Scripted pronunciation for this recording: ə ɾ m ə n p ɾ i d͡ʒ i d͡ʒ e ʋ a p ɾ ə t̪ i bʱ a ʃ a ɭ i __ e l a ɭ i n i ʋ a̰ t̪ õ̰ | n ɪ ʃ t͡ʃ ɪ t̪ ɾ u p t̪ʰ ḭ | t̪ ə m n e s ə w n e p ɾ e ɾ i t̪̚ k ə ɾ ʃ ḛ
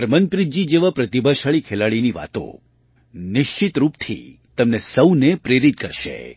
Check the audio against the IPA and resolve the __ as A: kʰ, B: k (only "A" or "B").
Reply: A